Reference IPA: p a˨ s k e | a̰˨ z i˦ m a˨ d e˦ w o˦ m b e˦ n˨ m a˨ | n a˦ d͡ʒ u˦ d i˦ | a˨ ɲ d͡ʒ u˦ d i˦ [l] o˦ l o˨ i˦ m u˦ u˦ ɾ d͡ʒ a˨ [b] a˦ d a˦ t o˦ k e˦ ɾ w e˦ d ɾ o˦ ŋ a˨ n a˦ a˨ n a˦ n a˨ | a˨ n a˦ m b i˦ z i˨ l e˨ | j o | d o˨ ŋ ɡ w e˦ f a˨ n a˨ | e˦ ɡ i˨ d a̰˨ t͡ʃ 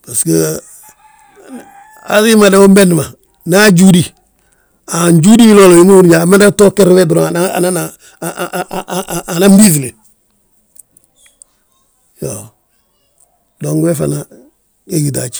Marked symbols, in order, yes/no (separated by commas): yes, no